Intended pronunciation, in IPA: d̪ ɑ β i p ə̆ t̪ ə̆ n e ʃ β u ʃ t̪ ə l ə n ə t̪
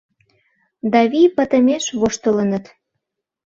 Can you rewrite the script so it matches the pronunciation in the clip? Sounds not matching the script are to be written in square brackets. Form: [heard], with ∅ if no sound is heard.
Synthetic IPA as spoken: d̪ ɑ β i p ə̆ t̪ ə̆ [m] e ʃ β [o] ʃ t̪ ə l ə n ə t̪